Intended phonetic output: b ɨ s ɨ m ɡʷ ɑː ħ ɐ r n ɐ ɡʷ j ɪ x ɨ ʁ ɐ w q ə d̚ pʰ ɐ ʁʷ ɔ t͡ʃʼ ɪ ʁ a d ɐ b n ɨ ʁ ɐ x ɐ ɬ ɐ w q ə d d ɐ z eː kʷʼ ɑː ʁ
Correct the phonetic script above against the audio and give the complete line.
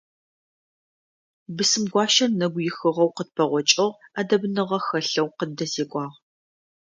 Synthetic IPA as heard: b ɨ s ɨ m ɡʷ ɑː ʃ ɐ r n ɐ ɡʷ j ɪ x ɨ ʁ ɐ w q ə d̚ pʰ ɐ ʁʷ ɔ t͡ʃʼ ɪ ʁ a d ɐ b n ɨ ʁ ɐ x ɐ ɬ ɐ w q ə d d ɐ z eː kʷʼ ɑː ʁ